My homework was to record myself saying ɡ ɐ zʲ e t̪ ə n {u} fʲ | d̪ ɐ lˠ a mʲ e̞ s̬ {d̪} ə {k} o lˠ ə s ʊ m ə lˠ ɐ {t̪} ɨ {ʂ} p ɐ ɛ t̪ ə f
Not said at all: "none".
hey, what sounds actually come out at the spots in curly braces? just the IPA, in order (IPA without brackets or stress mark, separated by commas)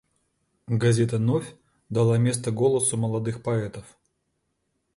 o, t̪, ɡ, d̪, x